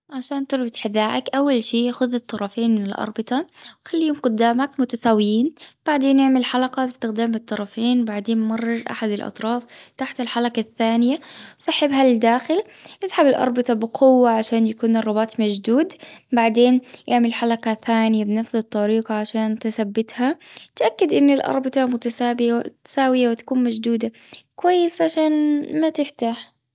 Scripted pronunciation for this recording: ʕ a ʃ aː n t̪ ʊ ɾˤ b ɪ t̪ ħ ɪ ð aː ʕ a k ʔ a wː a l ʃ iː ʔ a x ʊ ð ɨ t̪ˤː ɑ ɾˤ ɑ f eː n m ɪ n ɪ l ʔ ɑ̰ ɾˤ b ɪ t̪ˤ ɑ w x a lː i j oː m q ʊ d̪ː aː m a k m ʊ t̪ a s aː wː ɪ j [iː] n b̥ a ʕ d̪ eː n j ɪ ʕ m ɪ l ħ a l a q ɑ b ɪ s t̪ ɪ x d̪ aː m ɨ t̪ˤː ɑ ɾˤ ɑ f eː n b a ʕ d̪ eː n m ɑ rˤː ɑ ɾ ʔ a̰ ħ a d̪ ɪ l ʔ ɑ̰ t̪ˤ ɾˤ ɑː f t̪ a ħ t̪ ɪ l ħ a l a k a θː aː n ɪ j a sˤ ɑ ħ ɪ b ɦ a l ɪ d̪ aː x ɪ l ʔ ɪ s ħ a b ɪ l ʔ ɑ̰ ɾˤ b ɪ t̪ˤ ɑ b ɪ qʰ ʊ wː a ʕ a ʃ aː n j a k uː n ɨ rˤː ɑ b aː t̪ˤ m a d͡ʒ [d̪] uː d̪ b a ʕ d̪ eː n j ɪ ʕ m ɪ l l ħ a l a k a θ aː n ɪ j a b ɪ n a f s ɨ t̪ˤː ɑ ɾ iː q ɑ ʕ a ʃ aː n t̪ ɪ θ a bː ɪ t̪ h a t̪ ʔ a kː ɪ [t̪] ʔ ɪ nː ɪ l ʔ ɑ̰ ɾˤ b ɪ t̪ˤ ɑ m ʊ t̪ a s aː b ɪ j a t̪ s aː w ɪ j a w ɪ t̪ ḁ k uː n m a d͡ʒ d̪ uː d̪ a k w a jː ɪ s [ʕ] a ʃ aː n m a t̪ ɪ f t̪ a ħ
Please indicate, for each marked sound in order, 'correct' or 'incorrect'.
correct, correct, incorrect: d̪, correct

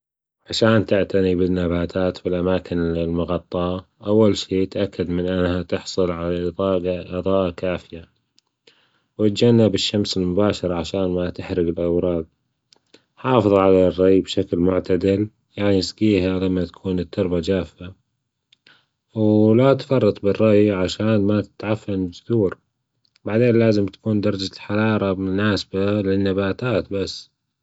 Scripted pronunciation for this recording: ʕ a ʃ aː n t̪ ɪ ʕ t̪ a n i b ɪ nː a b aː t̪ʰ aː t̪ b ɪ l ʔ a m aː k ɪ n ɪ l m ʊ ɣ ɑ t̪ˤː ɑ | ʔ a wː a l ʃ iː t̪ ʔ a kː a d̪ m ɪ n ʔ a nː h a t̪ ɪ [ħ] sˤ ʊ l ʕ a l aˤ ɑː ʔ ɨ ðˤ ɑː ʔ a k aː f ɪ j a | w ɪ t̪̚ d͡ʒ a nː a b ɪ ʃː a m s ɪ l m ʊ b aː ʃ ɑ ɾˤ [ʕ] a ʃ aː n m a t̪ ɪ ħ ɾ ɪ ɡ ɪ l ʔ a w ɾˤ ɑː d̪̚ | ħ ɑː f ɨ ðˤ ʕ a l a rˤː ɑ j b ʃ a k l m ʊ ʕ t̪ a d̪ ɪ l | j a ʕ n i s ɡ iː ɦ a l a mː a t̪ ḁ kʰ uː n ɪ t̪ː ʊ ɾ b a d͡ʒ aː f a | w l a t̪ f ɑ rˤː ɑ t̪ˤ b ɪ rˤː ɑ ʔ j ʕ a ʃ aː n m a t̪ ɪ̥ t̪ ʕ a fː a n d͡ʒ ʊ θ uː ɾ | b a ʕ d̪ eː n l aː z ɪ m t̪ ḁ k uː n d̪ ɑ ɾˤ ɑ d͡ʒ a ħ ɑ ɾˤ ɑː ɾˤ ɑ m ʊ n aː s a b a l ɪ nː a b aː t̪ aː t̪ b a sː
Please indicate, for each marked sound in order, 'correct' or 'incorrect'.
correct, correct

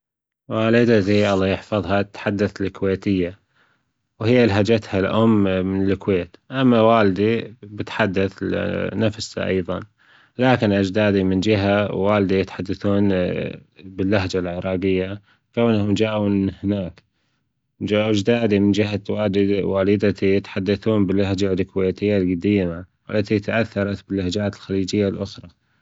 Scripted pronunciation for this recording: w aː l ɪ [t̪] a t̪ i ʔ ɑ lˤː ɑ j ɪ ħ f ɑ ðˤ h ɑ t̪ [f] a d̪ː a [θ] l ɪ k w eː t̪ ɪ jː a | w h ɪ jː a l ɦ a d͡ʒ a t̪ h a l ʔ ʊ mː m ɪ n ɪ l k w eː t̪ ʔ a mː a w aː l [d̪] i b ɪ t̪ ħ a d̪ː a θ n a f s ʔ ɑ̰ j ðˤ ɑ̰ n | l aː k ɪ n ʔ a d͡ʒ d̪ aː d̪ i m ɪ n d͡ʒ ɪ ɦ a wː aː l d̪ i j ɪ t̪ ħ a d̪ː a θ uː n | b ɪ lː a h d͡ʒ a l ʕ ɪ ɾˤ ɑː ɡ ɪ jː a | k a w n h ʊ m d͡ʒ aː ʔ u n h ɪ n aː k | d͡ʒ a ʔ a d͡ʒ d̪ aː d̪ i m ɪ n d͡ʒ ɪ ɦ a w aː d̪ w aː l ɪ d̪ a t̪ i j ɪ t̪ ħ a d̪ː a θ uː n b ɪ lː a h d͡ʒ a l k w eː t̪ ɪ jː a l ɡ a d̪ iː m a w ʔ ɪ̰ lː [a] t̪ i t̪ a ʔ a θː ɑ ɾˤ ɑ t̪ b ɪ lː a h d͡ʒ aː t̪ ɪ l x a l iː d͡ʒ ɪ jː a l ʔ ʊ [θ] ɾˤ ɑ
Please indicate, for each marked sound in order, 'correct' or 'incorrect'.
incorrect: d̪, incorrect: ħ, correct, correct, correct, incorrect: x

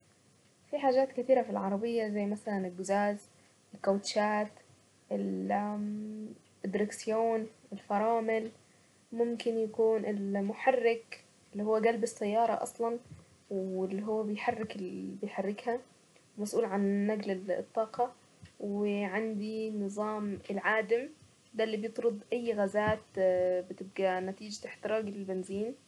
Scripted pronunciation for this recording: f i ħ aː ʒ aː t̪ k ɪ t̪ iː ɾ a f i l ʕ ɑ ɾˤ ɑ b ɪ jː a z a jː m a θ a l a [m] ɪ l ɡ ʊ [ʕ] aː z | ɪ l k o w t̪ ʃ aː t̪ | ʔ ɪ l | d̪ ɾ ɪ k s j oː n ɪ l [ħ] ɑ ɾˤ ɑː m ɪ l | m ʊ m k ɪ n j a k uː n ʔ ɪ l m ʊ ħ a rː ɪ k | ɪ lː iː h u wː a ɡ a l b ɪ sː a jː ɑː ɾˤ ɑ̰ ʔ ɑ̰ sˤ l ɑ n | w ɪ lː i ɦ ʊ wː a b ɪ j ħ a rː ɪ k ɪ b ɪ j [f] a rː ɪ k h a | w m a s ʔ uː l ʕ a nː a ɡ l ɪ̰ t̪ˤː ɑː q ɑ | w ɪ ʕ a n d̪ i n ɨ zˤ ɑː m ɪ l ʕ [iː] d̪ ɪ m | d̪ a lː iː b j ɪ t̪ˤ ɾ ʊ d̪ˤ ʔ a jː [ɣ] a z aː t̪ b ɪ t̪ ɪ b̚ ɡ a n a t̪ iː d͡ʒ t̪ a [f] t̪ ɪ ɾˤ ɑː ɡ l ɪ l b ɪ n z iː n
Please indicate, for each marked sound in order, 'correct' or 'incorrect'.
incorrect: n, incorrect: z, incorrect: f, incorrect: ħ, incorrect: aː, correct, incorrect: ħ

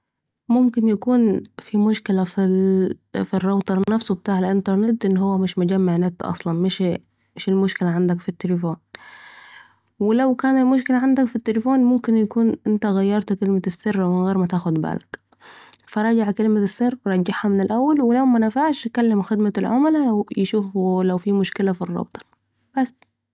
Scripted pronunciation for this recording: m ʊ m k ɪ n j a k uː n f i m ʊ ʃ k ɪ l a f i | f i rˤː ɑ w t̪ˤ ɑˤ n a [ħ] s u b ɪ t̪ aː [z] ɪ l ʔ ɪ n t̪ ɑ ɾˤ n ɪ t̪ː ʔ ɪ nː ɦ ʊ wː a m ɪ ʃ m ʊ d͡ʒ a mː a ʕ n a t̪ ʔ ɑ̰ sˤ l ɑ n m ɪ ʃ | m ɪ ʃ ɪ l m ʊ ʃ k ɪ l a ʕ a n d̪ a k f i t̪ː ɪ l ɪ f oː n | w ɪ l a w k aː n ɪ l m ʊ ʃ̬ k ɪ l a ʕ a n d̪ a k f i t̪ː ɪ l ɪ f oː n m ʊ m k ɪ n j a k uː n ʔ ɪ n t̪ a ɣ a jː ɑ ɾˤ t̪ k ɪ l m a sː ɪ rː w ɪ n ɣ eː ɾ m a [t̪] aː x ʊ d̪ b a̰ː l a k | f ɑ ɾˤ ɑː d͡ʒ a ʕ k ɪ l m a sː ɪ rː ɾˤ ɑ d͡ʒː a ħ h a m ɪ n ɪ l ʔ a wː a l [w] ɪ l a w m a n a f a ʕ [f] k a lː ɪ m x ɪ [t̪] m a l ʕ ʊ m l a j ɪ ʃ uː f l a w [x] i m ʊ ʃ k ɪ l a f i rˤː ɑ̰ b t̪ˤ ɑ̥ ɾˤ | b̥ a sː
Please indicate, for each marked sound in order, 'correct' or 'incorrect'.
incorrect: f, incorrect: ʕ, correct, correct, incorrect: ʃ, incorrect: d̪, incorrect: f

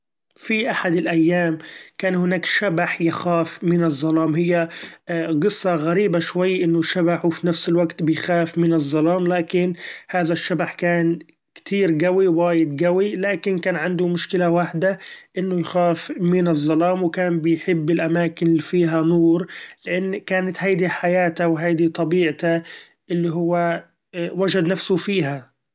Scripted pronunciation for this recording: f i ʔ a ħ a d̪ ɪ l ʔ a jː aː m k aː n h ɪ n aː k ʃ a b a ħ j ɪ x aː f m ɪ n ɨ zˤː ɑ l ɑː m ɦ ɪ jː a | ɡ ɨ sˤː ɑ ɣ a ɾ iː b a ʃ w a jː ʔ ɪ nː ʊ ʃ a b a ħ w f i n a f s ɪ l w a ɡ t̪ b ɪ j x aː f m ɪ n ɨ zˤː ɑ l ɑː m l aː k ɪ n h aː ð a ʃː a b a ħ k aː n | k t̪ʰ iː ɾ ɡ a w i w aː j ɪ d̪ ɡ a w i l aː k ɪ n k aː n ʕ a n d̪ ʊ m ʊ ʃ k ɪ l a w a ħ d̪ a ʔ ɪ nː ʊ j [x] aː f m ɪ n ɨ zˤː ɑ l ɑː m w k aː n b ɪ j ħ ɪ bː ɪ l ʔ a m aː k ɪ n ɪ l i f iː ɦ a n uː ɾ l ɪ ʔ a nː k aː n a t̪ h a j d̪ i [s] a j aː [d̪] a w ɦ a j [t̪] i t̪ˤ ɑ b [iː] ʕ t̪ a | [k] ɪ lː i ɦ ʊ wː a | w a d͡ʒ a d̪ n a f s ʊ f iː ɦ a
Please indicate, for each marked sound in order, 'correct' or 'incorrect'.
correct, incorrect: ħ, incorrect: t̪, incorrect: d̪, correct, incorrect: ʔ

